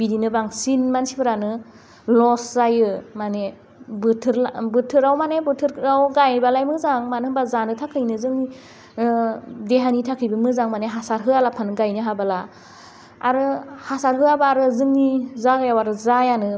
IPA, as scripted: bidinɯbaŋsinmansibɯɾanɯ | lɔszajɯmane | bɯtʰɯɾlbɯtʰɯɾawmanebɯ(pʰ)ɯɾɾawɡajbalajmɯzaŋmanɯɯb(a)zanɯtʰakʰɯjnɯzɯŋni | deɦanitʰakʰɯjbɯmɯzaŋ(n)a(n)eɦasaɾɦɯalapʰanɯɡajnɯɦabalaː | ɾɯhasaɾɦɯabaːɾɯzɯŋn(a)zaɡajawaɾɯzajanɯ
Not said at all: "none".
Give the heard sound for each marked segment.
tʰ, a, m, n, i

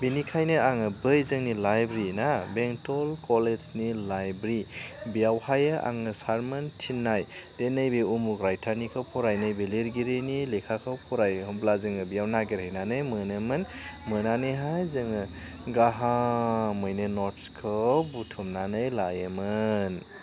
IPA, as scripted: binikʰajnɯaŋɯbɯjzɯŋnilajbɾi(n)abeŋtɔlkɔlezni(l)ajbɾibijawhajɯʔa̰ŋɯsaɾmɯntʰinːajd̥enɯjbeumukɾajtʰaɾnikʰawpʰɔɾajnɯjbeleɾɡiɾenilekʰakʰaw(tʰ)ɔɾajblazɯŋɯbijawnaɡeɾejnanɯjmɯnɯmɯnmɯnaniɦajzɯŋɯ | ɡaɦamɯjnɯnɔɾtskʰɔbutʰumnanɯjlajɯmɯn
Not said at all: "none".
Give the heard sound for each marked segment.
n, l, pʰ

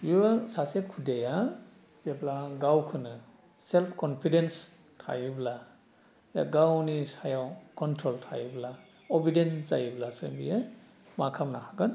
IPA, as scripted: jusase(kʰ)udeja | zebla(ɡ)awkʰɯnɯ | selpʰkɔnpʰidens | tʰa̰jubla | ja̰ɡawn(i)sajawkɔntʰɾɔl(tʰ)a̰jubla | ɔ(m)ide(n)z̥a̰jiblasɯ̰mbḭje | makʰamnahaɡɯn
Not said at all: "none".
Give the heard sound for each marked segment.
kʰ, ɡ, i, tʰ, b, n

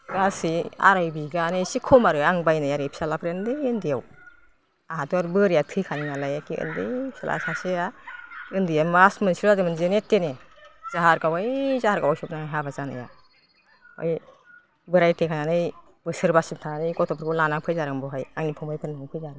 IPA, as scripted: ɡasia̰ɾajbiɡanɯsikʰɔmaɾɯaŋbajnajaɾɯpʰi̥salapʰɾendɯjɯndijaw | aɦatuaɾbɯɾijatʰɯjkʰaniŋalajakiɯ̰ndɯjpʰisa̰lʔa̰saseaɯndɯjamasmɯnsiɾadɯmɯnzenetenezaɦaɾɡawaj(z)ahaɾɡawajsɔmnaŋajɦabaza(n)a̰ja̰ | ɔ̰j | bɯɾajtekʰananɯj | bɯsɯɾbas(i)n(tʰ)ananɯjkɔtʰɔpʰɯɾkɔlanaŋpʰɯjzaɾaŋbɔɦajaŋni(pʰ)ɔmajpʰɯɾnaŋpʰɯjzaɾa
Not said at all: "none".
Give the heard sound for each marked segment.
z, n, i, tʰ, pʰ

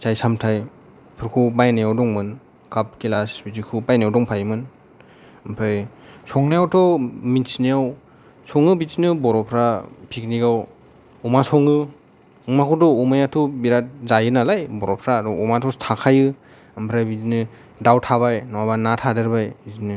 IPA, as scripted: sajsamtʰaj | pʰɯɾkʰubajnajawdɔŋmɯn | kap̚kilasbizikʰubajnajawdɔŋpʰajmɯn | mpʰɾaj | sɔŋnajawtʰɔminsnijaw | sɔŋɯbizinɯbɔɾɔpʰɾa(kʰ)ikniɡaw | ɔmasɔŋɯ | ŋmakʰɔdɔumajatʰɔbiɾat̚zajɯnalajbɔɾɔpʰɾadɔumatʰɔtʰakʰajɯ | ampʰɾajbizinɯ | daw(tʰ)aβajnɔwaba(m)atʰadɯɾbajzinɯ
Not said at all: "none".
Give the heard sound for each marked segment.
pʰ, tʰ, n

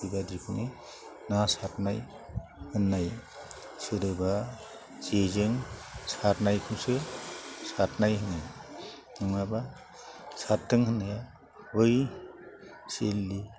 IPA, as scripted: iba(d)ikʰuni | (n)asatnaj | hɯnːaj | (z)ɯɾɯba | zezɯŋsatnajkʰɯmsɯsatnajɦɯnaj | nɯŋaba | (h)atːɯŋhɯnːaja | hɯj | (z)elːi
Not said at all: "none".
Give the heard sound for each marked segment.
d, n, s, s, s

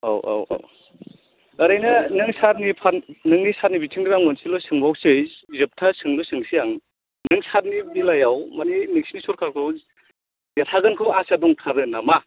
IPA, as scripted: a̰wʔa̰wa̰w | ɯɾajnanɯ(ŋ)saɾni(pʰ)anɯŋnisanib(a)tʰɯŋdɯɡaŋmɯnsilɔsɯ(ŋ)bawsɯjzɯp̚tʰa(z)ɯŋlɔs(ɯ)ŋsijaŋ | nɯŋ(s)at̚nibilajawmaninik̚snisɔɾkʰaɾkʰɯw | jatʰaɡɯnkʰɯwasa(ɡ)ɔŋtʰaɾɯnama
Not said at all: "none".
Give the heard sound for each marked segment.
ŋ, pʰ, i, ŋ, s, ɯ, s, d

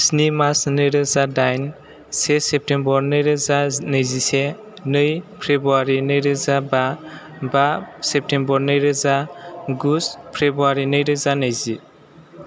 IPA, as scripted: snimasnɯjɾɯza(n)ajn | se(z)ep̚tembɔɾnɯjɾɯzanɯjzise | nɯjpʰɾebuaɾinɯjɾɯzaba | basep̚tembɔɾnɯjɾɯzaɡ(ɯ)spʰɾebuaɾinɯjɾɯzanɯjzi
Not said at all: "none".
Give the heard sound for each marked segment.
d, s, u

